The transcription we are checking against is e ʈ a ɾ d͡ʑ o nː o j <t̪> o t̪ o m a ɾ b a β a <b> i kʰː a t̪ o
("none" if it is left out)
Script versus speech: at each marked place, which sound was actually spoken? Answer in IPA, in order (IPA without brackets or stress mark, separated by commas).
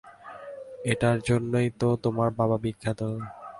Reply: t̪, b